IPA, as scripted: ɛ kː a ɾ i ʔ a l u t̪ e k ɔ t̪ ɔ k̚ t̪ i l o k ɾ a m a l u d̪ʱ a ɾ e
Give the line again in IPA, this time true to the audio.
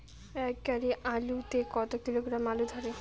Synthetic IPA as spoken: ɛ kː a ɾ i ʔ a l u t̪ e k ɔ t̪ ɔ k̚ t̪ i l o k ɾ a m a l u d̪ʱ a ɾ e

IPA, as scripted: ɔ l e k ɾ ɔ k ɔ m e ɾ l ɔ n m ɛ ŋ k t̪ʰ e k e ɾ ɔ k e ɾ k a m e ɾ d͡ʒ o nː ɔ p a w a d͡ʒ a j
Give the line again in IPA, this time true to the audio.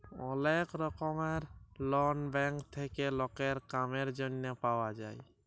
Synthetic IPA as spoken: ɔ l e k ɾ ɔ k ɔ m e ɾ l ɔ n b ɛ ŋ k t̪ʰ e k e l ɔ k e ɾ k a m e ɾ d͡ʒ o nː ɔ p a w a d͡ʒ a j

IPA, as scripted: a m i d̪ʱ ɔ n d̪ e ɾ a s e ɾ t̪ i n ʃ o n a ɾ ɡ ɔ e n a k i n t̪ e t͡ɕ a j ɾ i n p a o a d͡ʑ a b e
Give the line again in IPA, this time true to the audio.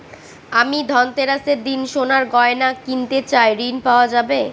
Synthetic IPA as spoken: a m i d̪ʱ ɔ n t̪ e ɾ a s e ɾ d̪ i n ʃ o n a ɾ ɡ ɔ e n a k i n t̪ e t͡ɕ a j ɾ i n p a o a d͡ʑ a b e

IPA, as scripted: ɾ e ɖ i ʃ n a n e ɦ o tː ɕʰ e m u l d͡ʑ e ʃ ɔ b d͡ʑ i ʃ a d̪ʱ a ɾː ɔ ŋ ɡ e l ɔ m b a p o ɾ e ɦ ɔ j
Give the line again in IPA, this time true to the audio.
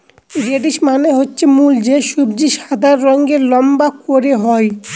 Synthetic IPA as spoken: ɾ e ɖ i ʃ m a n e ɦ o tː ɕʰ e m u l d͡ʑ e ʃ u b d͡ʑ i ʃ a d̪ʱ a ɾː ɔ ŋ ɡ e l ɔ m b a k o ɾ e ɦ ɔ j

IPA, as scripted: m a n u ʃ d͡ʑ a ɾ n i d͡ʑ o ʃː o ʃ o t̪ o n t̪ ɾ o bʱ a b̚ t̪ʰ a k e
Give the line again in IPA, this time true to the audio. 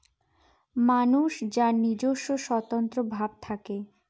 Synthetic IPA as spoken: m a n u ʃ d͡ʑ a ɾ n i d͡ʑ o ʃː o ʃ ɔ t̪ o n t̪ ɾ o bʱ a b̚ t̪ʰ a k e

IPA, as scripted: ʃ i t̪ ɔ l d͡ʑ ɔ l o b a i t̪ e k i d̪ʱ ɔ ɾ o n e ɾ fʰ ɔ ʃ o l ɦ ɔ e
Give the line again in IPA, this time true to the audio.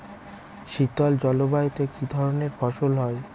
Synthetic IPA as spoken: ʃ i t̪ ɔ l d͡ʑ ɔ l o b a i t̪ e k i d̪ʱ ɔ ɾ o n e ɾ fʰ ɔ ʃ o l ɦ ɔ e

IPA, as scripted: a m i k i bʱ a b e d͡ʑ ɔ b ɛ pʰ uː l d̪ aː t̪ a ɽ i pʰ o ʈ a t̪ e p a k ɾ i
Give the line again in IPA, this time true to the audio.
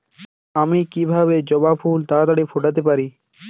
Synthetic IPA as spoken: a m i k i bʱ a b e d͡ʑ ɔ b a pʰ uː l t̪ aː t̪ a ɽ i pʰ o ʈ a t̪ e p a ɾ i

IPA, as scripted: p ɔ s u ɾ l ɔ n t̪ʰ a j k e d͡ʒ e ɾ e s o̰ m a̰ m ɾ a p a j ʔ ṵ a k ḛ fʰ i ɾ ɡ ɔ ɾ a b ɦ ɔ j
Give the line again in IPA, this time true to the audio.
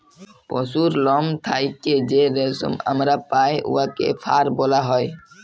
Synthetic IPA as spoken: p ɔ s u ɾ l ɔ m t̪ʰ a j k e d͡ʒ e ɾ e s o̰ m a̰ m ɾ a p a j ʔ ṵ a k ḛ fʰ a ɾ b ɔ l a ɦ ɔ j

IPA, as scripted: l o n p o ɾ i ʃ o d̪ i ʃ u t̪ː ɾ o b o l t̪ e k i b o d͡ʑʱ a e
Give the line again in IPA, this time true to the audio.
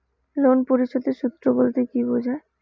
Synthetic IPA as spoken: l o n p o ɾ i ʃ o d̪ e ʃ u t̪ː ɾ o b o l t̪ e k i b o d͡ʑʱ a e

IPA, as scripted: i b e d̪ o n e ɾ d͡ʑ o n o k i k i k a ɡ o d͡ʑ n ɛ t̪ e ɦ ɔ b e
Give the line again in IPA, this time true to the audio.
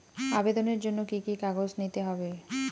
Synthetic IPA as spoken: a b e d̪ o n e ɾ d͡ʑ o nː o k i k i k a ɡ o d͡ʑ n i t̪ e ɦ ɔ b e

